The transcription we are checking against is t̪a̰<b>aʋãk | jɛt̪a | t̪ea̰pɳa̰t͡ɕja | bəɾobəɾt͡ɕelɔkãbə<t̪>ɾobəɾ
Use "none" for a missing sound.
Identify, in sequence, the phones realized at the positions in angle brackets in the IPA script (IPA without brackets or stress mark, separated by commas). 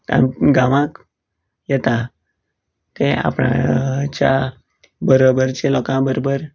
ɡ, none